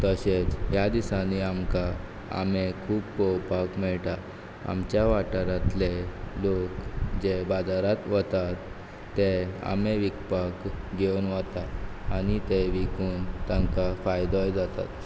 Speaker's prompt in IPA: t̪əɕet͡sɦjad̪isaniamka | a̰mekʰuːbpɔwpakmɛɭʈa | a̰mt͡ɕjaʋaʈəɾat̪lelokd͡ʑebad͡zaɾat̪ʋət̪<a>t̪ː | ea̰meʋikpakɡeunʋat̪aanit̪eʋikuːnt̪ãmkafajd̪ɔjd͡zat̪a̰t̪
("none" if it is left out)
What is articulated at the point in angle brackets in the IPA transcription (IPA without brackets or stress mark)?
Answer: a